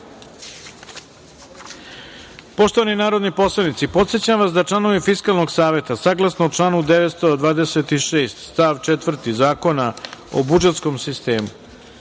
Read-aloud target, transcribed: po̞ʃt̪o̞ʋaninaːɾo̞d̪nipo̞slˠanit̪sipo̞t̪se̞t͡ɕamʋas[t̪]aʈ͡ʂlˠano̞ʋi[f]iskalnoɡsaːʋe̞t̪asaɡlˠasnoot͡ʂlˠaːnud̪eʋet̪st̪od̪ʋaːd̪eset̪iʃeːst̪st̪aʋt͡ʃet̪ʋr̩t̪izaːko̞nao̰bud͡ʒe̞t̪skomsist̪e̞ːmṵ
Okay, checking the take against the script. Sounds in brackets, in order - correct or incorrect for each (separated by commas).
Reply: incorrect, correct